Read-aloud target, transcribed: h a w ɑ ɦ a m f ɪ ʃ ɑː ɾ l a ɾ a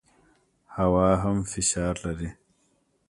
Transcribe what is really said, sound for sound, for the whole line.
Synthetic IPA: h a w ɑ ɦ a m f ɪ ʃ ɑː ɾ l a ɾ i